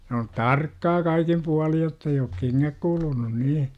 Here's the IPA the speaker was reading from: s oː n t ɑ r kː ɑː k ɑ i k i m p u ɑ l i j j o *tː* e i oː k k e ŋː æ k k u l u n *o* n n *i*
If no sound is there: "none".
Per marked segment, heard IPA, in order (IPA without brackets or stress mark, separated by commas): tː, u, iː